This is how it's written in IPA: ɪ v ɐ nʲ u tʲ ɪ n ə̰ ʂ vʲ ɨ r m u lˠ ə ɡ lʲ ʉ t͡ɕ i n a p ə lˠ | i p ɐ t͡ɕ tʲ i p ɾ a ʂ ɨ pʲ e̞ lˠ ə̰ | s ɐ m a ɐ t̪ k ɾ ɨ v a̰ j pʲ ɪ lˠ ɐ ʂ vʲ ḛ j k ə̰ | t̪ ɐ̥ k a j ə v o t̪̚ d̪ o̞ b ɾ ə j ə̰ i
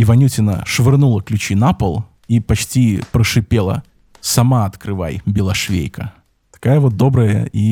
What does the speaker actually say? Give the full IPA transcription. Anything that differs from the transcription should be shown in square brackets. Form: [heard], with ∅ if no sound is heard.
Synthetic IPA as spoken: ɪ v ɐ nʲ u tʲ ɪ n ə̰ ʂ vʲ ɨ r [n] u lˠ ə [k] lʲ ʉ t͡ɕ i n a p ə lˠ | i p ɐ t͡ɕ tʲ i p ɾ [ə] ʂ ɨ pʲ e̞ lˠ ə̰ | s ɐ m a ɐ t̪ k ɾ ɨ v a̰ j [bʲ] ɪ lˠ ɐ ʂ vʲ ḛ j k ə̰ | t̪ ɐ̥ k a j ə v o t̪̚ d̪ o̞ b ɾ ə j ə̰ i